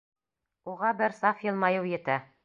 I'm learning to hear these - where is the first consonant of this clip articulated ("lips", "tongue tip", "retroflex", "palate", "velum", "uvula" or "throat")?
uvula